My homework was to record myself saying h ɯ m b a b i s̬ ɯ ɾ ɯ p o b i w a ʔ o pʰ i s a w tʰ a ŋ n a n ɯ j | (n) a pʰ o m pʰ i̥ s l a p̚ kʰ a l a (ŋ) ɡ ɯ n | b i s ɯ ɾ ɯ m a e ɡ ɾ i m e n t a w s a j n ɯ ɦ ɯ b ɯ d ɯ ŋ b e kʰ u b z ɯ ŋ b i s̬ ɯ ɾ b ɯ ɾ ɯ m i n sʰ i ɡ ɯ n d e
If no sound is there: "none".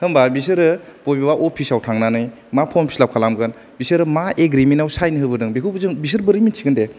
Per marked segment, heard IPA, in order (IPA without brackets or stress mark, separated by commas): m, m